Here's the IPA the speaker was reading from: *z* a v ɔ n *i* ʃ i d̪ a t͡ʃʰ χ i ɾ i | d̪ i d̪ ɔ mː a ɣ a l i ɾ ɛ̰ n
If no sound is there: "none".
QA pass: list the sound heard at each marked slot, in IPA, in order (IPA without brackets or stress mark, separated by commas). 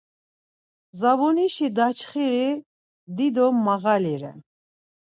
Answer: z, i